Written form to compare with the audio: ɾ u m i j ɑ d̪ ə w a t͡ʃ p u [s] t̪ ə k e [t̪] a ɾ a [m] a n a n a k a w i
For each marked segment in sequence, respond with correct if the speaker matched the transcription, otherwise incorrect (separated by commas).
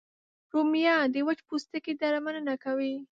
correct, incorrect, correct